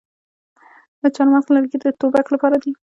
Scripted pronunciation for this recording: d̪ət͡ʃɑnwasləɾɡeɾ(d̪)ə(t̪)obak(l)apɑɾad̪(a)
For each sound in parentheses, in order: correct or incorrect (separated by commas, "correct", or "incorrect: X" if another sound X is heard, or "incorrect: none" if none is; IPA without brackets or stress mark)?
correct, correct, correct, incorrect: i